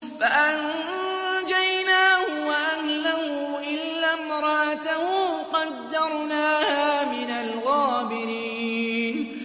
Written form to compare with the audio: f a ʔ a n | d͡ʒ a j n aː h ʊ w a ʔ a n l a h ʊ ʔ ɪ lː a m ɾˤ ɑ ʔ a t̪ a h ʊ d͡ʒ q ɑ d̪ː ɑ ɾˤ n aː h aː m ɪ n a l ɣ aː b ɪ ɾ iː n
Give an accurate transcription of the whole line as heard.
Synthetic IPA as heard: f a ʔ a n | d͡ʒ a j n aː h ʊ w a ʔ a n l a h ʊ ʔ ɪ lː a m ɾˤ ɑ ʔ a t̪ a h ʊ q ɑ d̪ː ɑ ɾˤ n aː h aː m ɪ n a l ɣ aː b ɪ ɾ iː n